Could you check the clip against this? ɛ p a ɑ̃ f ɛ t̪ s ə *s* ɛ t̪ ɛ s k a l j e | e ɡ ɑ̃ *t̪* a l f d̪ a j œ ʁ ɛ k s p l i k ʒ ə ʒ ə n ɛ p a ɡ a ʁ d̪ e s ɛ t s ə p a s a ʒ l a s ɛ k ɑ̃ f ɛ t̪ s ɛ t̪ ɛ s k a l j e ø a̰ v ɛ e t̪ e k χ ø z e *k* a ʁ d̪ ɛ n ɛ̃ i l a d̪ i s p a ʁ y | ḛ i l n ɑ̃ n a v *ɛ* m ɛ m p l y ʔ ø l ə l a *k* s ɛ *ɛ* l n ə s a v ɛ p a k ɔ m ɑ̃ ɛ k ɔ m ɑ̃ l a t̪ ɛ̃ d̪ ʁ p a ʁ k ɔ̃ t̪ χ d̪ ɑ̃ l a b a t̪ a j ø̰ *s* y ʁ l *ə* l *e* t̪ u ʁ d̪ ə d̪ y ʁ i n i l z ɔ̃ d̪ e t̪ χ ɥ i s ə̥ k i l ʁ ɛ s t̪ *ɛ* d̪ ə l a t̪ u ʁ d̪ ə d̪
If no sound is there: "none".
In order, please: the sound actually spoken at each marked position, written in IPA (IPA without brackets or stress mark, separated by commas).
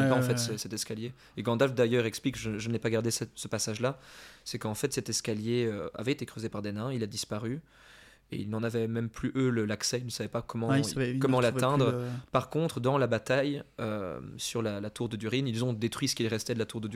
s, d̪, p, ɛ, k, i, s, a, a, ɛ